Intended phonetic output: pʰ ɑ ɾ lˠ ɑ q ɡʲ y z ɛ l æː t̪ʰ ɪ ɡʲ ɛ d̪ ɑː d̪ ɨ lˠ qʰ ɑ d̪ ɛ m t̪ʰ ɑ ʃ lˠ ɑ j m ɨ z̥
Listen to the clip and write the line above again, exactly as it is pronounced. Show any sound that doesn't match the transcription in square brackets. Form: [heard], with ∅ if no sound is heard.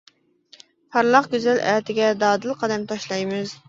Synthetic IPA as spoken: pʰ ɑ ɾ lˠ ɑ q ɡʲ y z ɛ l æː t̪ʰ ɪ ɡʲ ɛ d̪ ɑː d̪ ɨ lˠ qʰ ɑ d̪ ɛ m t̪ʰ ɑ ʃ lˠ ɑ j m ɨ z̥